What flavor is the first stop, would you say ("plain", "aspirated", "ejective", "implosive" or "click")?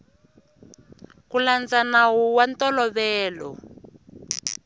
plain